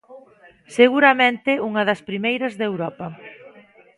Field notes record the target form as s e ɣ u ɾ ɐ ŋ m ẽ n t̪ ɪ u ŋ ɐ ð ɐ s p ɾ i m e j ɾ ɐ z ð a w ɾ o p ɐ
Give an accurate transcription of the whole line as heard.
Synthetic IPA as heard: s e ɣ u ɾ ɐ m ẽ n t̪ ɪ u ŋ ɐ ð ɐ s p ɾ i m e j ɾ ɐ z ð e w ɾ ɔ p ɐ

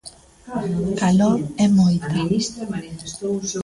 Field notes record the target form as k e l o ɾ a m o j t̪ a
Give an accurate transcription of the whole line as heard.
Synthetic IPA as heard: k a l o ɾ ɛ m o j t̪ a

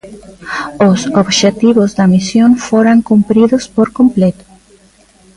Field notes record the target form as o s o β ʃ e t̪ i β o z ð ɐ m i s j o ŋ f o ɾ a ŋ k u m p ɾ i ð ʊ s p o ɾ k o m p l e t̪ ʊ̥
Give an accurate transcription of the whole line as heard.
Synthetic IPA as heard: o s o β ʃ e t̪ i β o z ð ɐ m i s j o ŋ f o ɾ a ŋ k u m p ɾ i ð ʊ s p o ɾ k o m p l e t̪ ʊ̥

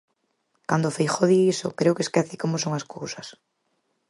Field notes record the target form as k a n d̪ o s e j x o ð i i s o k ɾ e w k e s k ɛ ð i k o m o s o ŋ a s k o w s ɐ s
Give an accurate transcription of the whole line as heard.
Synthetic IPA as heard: k a n d̪ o f e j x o ð i i s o k ɾ e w k e s k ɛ θ i k o m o s o ŋ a s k o w s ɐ s

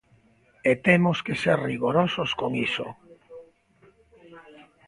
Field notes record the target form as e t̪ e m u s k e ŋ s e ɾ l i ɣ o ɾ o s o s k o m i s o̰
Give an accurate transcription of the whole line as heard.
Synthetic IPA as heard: e t̪ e m o s k e s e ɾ r i ɣ o ɾ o s o s k o ŋ i s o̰

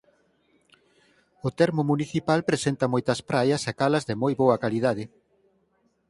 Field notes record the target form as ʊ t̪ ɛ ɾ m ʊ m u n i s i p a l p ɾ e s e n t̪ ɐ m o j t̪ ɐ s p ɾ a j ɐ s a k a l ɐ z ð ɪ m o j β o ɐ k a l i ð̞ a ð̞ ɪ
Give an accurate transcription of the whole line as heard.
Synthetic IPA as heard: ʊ t̪ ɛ ɾ m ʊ m u n i θ i p a l p ɾ e s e n t̪ ɐ m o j t̪ ɐ s p ɾ a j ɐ s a k a l ɐ z ð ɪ m o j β o ɐ k a l i ð̞ a ð̞ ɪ

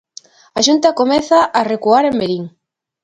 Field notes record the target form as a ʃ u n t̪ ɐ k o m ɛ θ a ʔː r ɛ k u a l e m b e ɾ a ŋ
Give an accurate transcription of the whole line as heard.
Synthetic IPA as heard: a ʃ u n t̪ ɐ k o m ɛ θ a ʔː r e k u a ɾ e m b e ɾ i ŋ

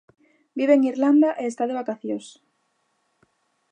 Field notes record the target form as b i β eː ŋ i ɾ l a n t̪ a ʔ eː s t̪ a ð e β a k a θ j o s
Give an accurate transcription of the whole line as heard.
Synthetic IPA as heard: b i β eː ŋ i ɾ l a n d̪ a ʔ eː s t̪ a ð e β a k a θ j o s

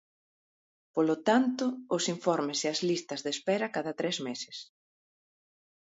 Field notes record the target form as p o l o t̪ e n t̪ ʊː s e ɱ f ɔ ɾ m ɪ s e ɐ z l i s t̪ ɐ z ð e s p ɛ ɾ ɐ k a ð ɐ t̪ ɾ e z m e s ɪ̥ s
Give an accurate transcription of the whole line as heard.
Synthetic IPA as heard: p o l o t̪ a n t̪ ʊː s i ɱ f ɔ ɾ m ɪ s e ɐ z l i s t̪ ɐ z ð e s p ɛ ɾ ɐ k a ð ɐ t̪ ɾ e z m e s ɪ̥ s

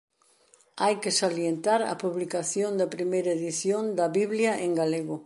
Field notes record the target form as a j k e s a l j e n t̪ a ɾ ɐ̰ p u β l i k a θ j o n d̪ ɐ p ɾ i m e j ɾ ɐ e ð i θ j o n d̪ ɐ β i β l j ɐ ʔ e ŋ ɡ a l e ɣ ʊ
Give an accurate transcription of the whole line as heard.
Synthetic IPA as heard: a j k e s a l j e n t̪ a ɾ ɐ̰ p u β l i k a θ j o n d̪ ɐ p ɾ i m e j ɾ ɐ e ð i θ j o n d̪ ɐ β i β l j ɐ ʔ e ŋ ɡ a l e ɣ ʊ

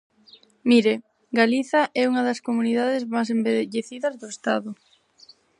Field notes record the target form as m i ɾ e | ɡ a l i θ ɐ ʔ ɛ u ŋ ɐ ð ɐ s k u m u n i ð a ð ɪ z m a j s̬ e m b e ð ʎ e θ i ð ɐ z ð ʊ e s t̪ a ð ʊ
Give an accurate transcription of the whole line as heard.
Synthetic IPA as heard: m i ɾ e | ɡ a l i θ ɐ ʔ ɛ u ŋ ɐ ð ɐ s k o m u n i ð a ð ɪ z m a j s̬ e m b e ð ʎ e θ i ð ɐ z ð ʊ e s t̪ a ð ʊ

